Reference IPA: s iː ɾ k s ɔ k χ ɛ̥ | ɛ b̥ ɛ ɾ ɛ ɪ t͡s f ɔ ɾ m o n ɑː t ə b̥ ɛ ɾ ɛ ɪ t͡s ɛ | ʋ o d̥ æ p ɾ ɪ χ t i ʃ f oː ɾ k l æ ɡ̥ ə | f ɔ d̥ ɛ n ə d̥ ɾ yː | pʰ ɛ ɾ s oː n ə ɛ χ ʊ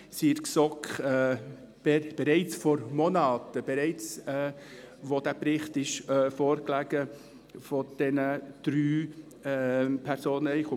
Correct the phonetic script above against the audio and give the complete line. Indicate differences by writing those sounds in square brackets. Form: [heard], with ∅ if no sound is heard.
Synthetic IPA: s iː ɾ k s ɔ k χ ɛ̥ | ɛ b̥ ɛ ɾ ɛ ɪ t͡s f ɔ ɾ m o n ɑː t ə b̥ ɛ ɾ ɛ ɪ t͡s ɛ | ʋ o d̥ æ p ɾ ɪ χ t [ɪ] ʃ f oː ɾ k l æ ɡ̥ ə | f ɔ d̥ ɛ n ə d̥ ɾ yː | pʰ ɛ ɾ s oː n ə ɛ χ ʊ